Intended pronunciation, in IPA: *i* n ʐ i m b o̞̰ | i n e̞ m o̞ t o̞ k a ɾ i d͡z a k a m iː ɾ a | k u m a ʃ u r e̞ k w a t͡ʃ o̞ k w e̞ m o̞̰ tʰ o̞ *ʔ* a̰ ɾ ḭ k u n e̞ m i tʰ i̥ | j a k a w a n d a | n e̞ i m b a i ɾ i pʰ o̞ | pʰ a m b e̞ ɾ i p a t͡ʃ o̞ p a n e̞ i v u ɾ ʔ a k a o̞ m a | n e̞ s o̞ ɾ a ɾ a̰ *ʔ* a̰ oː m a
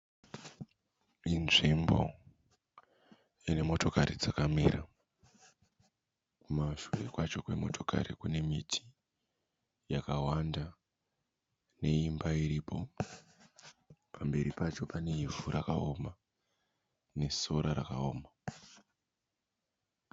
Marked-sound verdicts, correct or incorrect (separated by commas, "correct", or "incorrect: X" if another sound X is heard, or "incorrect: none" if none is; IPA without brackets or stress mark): correct, incorrect: k, incorrect: k